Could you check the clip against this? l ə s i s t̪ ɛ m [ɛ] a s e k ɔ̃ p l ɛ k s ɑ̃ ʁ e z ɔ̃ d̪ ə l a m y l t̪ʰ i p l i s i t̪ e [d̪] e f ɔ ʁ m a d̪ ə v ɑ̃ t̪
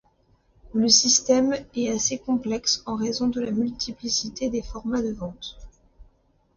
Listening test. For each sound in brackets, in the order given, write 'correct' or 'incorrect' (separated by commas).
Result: correct, correct